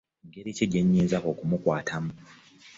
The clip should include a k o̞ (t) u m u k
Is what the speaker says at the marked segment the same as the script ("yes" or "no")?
no